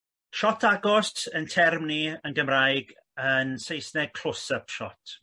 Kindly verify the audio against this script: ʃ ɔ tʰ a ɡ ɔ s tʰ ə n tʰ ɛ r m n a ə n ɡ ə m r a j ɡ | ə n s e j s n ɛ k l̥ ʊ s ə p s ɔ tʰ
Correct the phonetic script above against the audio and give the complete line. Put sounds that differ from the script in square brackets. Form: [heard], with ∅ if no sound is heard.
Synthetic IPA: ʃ ɔ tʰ a ɡ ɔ s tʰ ə n tʰ ɛ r m n [i] ə n ɡ ə m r a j ɡ | ə n s e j s n ɛ [kʰ] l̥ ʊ s ə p [ʃ] ɔ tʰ